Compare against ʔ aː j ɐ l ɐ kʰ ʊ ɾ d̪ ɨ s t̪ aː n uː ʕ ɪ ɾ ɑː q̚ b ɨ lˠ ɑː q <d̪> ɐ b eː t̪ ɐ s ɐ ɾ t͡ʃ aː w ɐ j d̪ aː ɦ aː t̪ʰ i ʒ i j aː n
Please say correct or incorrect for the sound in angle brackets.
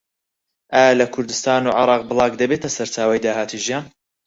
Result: correct